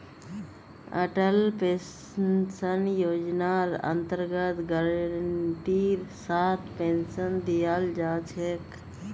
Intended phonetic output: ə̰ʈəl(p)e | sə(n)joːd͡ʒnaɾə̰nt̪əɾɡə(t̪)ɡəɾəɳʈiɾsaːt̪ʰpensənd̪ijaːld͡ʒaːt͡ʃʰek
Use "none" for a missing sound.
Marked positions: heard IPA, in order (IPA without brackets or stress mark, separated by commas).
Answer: p, n, t̪